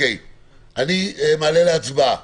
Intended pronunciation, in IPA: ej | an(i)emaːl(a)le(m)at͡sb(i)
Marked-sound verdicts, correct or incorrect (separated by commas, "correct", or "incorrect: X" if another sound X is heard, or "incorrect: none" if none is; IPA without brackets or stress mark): correct, incorrect: e, incorrect: none, incorrect: a